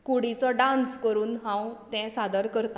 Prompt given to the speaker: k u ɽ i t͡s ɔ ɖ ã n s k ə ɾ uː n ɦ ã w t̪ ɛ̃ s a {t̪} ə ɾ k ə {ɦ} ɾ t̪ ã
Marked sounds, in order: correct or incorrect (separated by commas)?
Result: incorrect, incorrect